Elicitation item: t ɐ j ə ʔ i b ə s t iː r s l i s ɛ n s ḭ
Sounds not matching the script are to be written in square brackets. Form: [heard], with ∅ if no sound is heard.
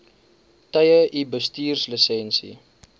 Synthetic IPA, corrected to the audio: t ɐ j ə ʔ i b ə s t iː r s l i s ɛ n s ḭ